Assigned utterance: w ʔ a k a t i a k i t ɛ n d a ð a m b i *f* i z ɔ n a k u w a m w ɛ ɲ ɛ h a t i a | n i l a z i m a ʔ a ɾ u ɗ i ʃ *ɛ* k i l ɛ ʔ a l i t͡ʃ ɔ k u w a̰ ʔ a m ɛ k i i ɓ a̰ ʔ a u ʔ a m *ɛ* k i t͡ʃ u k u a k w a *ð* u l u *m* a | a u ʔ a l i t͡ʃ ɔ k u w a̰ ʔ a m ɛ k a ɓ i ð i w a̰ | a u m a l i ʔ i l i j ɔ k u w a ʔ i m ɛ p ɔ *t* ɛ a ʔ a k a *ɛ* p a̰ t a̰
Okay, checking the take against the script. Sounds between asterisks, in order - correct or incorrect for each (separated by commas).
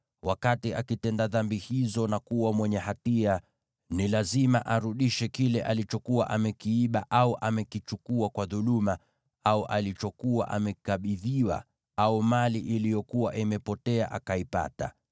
incorrect, correct, correct, correct, correct, correct, incorrect